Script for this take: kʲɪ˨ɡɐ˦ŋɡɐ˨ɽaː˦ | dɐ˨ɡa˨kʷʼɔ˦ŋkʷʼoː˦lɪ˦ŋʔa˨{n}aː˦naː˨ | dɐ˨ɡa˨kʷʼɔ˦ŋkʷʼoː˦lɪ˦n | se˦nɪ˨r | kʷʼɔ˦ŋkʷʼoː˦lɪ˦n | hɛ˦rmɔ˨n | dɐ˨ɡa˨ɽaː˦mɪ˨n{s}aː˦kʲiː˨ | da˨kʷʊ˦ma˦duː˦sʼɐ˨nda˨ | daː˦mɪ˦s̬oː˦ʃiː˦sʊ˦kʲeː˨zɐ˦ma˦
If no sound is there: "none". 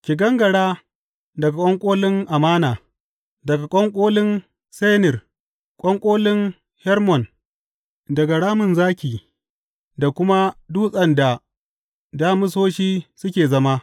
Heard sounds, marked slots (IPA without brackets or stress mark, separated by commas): m, z